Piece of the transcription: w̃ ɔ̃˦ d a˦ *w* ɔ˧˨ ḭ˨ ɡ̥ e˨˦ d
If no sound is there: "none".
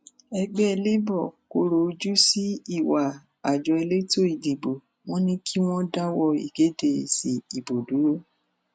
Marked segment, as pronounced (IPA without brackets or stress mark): w